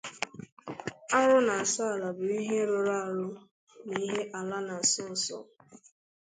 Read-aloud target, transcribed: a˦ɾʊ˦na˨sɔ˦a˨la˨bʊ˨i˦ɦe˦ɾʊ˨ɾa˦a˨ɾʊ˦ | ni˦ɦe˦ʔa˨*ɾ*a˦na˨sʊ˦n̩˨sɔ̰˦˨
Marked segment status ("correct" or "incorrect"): incorrect